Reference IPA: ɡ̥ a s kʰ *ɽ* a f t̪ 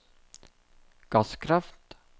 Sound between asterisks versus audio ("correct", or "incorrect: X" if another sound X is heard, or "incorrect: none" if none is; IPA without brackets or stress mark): incorrect: ɾ